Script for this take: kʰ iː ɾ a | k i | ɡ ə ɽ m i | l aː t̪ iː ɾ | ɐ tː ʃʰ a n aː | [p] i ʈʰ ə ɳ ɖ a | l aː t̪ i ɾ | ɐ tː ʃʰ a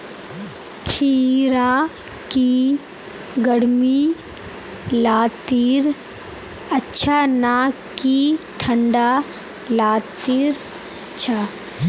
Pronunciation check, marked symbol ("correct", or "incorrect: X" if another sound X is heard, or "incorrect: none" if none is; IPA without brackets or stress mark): incorrect: k